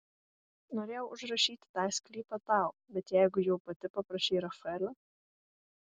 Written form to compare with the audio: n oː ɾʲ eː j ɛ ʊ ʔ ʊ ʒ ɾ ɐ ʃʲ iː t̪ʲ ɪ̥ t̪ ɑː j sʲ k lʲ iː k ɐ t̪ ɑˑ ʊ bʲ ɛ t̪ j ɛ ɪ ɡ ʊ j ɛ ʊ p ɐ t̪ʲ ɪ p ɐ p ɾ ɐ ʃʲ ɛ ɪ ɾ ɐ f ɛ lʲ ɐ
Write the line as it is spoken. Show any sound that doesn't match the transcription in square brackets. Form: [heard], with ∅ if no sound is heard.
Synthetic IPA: n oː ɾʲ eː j ɛ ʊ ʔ ʊ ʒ ɾ ɐ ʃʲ iː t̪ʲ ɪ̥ t̪ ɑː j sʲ k lʲ iː [p] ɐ t̪ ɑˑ ʊ bʲ ɛ t̪ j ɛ ɪ ɡ ʊ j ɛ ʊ p ɐ t̪ʲ ɪ p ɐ p ɾ ɐ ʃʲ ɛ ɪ ɾ ɐ f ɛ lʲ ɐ